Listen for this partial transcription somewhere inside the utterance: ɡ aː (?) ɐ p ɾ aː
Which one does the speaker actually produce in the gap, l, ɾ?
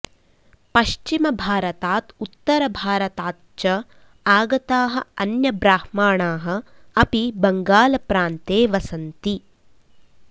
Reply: l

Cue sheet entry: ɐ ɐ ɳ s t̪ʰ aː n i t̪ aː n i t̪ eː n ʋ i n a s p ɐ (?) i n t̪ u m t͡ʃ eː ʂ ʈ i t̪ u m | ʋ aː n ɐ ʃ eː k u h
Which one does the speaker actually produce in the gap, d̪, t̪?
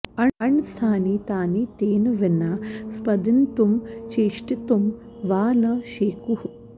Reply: d̪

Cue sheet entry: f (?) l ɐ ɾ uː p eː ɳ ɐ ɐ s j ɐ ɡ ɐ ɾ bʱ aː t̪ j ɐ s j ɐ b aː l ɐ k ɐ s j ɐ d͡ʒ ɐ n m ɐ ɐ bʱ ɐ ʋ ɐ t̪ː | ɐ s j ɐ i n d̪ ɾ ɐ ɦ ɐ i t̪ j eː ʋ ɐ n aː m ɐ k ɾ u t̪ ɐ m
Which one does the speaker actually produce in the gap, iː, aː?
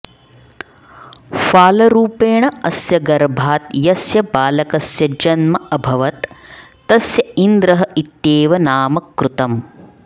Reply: aː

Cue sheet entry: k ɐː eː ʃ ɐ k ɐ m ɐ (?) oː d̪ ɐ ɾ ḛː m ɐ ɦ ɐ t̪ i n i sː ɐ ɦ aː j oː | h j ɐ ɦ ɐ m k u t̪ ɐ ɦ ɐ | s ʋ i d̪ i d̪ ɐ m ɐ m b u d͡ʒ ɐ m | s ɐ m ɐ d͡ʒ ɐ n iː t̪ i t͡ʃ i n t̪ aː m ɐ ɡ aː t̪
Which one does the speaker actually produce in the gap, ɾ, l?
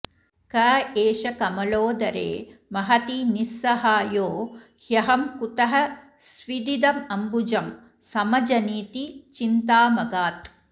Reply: l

